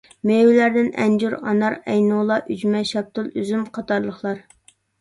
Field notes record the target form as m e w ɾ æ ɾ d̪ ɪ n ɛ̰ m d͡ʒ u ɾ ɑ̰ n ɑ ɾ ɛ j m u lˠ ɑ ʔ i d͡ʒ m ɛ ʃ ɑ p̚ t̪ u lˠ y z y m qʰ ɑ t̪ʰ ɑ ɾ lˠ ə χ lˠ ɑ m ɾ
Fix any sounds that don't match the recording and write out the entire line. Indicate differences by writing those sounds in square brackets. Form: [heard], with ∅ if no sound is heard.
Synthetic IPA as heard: m e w [l] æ ɾ d̪ ɪ n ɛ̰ [n] d͡ʒ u ɾ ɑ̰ n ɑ ɾ ɛ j [n] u lˠ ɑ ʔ [y] d͡ʒ m ɛ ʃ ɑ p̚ t̪ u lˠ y z y m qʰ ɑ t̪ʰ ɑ ɾ lˠ ə χ lˠ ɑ [∅] ɾ